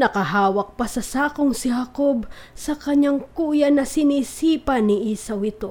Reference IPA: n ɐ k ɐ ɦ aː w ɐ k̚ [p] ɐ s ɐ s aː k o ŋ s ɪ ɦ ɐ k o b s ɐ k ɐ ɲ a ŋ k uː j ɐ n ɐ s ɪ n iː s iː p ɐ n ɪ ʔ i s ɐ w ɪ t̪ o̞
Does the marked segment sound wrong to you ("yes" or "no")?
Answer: no